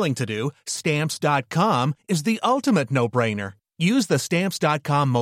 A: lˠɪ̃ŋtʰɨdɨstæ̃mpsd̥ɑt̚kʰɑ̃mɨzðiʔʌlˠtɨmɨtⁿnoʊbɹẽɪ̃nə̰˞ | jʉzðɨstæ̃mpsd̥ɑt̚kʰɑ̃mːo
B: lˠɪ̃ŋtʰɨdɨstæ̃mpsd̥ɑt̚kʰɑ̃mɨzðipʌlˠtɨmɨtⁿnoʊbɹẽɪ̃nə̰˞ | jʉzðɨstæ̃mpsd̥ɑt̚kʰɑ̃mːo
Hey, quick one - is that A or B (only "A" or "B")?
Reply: A